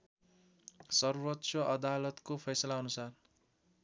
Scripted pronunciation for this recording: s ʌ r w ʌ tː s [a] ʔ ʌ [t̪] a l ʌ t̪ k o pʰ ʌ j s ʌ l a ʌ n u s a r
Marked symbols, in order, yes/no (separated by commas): no, no